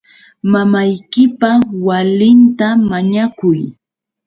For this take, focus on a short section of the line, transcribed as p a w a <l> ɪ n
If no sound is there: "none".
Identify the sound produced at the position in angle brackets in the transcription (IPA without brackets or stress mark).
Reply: l